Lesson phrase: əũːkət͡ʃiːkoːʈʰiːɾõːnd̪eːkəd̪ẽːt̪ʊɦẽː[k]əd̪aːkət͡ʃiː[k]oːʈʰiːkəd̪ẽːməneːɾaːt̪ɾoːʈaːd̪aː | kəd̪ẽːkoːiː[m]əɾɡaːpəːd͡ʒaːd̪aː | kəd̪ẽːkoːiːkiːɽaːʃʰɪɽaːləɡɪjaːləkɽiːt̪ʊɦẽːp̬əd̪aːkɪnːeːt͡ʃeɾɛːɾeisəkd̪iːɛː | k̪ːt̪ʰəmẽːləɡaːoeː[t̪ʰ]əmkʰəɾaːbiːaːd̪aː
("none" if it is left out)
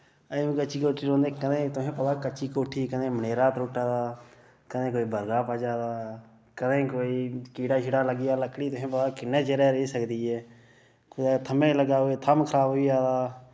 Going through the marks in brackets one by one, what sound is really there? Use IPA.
p, k, b, t̪ʰ

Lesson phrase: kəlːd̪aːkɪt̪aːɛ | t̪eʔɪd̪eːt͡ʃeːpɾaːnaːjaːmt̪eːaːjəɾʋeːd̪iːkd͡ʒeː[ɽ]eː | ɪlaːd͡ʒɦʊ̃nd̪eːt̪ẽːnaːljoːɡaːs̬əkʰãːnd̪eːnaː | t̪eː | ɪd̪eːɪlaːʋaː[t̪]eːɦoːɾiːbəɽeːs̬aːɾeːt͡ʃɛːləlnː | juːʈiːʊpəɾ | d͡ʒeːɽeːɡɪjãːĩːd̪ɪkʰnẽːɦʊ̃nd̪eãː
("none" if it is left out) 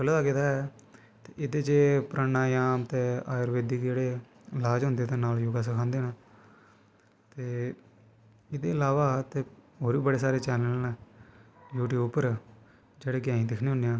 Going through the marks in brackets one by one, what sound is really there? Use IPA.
ɽ, t̪

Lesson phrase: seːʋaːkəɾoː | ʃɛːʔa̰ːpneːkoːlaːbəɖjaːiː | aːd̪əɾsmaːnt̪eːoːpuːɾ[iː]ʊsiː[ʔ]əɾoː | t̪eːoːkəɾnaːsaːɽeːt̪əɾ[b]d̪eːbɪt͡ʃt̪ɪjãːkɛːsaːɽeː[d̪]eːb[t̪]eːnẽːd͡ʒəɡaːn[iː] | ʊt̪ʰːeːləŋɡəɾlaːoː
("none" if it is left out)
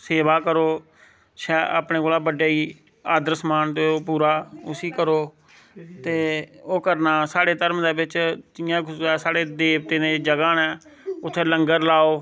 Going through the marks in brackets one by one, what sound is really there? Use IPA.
aː, k, m, d̪, t̪, ɛː

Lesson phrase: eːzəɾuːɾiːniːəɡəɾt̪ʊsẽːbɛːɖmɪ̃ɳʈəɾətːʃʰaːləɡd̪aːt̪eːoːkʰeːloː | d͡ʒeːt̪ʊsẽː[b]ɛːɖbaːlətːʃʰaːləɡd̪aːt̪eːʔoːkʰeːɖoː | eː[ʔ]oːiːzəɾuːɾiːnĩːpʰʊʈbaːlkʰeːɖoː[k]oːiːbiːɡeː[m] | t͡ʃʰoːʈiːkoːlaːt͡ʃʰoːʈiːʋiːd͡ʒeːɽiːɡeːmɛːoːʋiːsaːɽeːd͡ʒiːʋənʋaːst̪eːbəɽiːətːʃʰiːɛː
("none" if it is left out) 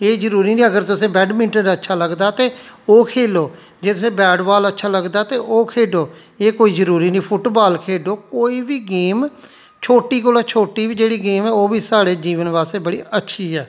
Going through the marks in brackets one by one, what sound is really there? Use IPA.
b, k, k, m

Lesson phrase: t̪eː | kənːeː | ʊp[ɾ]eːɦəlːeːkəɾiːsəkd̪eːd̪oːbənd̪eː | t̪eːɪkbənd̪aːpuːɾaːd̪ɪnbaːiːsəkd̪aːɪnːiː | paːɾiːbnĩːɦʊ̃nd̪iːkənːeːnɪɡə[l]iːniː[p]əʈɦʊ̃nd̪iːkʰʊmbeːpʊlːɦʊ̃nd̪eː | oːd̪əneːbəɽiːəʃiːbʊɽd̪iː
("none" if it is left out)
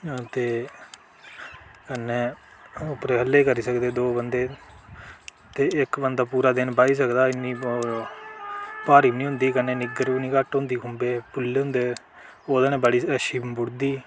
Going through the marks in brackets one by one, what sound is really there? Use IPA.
ɾ, ɾ, k

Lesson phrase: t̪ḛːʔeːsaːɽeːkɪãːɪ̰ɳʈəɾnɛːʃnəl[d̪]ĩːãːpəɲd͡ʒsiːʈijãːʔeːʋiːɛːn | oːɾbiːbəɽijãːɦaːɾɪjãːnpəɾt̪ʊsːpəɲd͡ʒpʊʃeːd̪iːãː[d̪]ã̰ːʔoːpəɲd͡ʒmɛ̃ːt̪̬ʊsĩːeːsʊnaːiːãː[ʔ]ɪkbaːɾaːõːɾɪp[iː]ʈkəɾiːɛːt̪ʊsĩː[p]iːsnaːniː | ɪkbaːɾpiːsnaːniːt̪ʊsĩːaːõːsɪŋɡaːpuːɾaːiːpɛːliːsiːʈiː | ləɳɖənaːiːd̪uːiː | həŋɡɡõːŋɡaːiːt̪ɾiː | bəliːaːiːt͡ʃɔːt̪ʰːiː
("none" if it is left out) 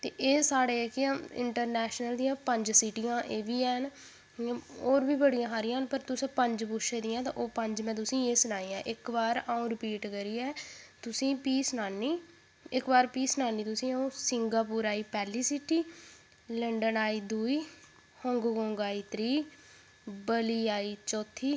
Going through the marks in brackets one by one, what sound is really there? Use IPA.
d̪, t̪, ʔ, iː, p

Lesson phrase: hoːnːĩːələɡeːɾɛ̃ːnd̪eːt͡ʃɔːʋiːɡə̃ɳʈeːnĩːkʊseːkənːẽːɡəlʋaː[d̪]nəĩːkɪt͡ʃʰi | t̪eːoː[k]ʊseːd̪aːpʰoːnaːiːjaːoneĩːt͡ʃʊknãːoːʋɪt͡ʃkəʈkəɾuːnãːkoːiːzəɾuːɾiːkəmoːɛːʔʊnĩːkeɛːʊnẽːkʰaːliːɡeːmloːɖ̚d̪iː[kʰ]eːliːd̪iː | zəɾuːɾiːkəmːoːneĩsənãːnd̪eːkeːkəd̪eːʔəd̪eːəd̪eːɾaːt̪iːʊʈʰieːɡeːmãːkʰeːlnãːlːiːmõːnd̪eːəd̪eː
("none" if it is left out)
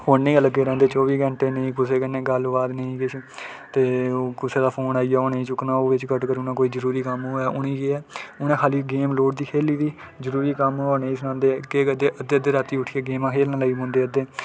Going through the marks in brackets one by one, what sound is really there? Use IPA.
d̪, k, kʰ

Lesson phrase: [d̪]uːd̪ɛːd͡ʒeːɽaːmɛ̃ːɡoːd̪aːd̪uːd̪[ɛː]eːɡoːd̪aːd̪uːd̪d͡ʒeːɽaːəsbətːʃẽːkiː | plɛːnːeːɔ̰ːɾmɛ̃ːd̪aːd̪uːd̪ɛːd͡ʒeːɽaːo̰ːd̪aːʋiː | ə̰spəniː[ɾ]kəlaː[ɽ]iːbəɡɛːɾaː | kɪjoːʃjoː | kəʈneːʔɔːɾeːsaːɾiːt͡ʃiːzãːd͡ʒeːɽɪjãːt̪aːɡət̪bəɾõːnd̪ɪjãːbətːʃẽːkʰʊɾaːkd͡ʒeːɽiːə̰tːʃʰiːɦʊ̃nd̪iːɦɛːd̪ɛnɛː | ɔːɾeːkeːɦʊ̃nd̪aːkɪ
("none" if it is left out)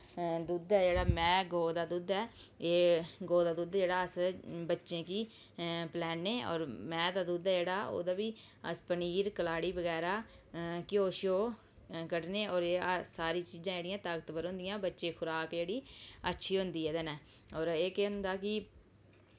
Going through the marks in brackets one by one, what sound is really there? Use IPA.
d̪, ɛː, ɾ, ɽ

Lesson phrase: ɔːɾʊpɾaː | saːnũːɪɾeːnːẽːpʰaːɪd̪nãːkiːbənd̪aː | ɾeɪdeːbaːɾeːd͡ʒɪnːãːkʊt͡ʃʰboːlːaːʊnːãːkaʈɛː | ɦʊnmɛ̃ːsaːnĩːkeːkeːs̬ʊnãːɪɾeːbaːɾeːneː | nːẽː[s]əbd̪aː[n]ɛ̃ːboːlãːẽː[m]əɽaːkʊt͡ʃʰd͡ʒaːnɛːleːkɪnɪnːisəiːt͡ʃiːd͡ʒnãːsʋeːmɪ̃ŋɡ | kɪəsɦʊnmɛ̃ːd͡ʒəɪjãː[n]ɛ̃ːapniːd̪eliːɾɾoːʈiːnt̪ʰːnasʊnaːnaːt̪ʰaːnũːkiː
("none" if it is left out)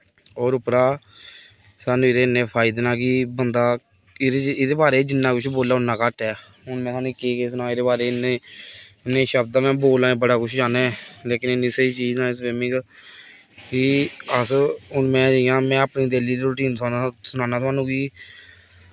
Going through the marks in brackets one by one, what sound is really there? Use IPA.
ʃ, m, b, m

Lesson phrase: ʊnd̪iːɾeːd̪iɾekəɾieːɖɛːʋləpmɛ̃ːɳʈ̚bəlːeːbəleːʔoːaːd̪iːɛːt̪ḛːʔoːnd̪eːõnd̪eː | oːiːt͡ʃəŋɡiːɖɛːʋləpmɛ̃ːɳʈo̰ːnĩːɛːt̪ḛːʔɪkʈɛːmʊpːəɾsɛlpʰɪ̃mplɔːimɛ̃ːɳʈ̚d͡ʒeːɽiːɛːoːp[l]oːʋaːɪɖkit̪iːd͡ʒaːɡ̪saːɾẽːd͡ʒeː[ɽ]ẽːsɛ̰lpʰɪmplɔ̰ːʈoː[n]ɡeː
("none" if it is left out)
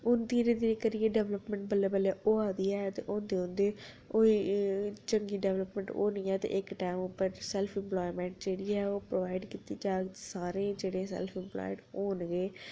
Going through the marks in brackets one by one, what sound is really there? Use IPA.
ɾ, ɽ, n

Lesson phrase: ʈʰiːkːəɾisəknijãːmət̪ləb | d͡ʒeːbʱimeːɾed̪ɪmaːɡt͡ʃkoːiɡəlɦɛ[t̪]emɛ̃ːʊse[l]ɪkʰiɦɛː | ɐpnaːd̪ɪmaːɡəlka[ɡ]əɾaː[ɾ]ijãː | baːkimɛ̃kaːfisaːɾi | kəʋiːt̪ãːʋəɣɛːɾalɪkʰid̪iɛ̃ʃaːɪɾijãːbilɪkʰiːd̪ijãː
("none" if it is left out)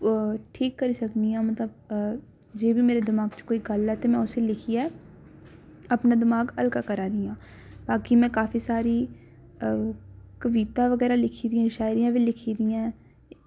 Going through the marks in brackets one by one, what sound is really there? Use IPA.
t̪, l, k, ɾ

